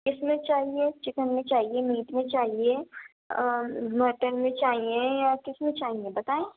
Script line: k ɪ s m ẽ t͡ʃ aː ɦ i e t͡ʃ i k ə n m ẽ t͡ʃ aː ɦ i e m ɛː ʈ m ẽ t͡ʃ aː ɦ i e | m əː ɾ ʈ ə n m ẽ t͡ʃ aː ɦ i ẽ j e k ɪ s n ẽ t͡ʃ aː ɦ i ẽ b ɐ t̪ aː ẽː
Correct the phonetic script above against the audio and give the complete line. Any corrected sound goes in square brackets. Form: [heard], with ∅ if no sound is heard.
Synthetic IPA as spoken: k ɪ s m ẽ t͡ʃ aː ɦ i e t͡ʃ [ɪ] k ə n m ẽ t͡ʃ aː ɦ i e m [iː] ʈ m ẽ t͡ʃ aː ɦ i e | m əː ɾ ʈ ə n m ẽ t͡ʃ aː ɦ i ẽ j [a] k ɪ s [m] ẽ t͡ʃ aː ɦ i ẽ b ɐ t̪ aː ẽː